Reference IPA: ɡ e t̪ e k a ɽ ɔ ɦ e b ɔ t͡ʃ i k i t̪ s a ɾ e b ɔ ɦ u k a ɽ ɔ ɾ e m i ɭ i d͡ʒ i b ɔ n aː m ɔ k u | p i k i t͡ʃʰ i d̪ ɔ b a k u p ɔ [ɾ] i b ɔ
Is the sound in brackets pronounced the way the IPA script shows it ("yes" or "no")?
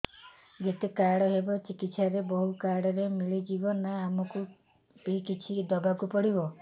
no